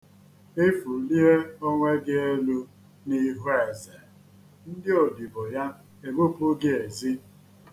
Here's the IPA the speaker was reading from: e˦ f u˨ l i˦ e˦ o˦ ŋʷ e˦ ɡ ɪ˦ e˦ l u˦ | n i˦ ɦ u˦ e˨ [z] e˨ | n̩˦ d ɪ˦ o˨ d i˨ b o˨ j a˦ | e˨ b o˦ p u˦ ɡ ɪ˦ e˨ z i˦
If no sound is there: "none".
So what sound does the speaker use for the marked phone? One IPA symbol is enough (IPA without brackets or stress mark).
z